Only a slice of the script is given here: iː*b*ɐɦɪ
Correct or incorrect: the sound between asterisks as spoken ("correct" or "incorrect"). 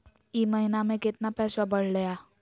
incorrect